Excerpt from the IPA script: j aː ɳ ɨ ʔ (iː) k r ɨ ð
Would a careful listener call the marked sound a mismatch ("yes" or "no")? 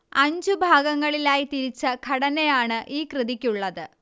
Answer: no